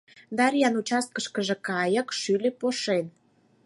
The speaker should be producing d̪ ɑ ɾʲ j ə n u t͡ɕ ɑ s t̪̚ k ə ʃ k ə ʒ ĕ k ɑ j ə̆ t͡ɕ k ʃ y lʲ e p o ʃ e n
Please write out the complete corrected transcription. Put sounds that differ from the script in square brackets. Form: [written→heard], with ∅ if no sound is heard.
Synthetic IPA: d̪ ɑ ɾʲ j [ə→ɑ] n u t͡ɕ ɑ s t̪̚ k ə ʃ k ə ʒ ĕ k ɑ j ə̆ [t͡ɕ→∅] k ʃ y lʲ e p o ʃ e n